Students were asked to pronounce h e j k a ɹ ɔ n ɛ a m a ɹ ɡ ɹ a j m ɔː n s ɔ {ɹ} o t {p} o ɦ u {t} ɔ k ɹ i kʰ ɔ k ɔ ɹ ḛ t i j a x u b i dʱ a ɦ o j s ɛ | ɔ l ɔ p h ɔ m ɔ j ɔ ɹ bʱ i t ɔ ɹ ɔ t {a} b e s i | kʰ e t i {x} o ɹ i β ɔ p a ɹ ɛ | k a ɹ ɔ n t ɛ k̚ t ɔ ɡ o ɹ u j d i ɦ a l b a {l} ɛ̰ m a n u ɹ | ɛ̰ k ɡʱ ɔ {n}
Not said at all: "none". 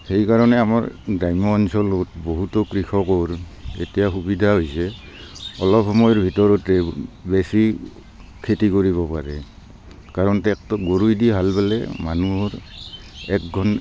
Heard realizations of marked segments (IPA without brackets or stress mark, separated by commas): l, b, t, ɛ, k, l, n